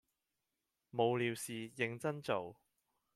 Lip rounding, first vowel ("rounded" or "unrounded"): rounded